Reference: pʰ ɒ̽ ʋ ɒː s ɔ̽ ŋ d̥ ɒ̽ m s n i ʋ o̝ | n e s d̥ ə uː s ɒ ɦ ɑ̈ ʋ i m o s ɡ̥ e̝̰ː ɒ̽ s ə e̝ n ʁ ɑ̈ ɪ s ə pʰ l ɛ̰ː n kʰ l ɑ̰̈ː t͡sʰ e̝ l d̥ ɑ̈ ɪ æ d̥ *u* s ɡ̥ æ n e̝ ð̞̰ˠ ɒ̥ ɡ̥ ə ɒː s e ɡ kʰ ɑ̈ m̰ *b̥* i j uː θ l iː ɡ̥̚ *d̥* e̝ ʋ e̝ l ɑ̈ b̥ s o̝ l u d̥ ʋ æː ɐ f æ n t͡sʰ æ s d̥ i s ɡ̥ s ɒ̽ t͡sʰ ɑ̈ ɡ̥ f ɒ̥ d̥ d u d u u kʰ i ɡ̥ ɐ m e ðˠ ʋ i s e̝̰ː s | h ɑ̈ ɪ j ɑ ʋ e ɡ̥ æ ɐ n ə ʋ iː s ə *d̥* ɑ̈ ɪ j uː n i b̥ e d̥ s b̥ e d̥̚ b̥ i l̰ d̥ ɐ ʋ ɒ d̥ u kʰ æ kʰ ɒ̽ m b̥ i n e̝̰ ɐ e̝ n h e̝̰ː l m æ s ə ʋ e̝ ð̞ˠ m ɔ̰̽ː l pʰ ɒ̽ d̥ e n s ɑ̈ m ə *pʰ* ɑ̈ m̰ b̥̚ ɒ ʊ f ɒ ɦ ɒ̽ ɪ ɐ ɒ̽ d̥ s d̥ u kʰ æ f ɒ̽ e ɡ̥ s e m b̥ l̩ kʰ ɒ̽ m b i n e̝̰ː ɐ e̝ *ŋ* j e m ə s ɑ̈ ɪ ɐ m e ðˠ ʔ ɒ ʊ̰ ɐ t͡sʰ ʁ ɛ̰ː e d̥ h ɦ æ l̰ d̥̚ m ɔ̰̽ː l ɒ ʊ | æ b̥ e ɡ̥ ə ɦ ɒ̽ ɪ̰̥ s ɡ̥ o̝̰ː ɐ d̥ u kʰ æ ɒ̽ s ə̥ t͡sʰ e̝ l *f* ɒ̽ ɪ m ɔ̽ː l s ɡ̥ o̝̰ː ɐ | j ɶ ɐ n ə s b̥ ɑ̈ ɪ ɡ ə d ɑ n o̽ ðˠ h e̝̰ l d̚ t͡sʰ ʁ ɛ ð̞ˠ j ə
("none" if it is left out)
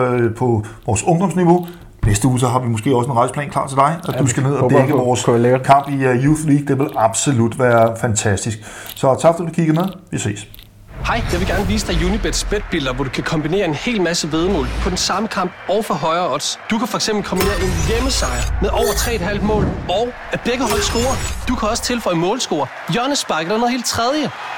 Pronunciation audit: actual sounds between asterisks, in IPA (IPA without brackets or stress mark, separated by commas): u, b̥, d̥, d̥, kʰ, n, f